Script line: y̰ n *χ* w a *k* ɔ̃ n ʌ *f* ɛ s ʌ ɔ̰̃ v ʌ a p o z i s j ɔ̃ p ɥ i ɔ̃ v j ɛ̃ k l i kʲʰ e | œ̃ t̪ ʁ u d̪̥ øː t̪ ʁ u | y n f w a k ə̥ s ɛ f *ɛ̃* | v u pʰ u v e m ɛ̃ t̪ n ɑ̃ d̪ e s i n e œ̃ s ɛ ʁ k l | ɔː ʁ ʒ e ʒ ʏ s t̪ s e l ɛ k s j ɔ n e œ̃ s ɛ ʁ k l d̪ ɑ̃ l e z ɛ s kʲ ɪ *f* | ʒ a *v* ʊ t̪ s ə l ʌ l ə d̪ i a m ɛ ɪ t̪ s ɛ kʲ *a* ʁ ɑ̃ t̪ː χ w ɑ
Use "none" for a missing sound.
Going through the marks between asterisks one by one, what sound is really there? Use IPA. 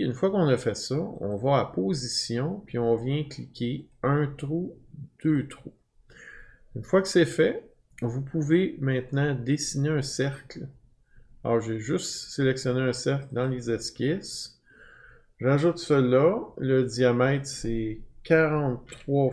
f, k, f, ɛ, s, ʒ, a

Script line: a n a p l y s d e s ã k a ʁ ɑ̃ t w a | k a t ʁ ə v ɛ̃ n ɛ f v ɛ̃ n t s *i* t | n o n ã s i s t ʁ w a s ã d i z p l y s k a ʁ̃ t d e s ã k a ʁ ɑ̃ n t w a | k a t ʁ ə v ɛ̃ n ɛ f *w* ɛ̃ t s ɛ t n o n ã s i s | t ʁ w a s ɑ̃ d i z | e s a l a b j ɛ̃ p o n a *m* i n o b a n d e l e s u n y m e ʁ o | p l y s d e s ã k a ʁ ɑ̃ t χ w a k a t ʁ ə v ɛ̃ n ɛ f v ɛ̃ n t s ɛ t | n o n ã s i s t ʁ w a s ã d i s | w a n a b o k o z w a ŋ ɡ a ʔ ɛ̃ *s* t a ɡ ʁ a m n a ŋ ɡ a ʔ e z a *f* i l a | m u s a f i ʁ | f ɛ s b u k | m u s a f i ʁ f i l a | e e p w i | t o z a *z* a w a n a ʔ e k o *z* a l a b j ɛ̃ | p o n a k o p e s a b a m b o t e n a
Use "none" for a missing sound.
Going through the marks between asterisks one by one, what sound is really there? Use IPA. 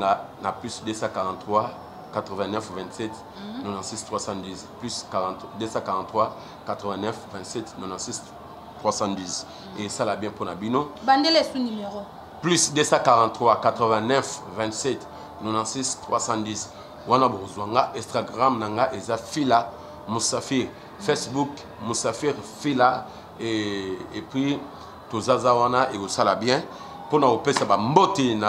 ɛ, v, b, s, f, z, s

